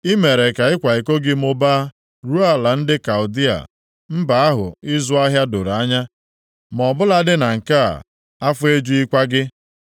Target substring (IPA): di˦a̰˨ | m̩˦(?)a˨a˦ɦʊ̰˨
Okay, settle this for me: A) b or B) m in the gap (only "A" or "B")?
A